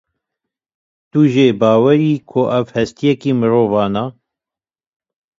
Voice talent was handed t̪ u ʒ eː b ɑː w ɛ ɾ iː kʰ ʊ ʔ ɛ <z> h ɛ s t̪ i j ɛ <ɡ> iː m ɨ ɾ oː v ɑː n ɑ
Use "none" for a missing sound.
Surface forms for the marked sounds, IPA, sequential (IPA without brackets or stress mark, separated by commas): v, k